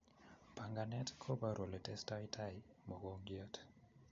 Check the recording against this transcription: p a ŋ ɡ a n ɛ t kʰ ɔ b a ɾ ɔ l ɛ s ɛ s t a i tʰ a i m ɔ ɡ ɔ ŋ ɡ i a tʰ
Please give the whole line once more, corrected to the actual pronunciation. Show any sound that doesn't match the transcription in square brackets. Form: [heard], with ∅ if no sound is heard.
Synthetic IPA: p a ŋ ɡ a n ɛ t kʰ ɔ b a ɾ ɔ l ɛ [t] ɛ s t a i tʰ a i m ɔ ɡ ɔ ŋ ɡ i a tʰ